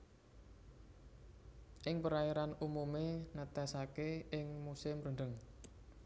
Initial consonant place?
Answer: glottal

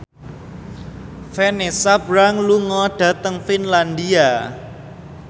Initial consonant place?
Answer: labial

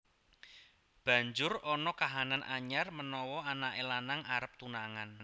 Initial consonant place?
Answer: labial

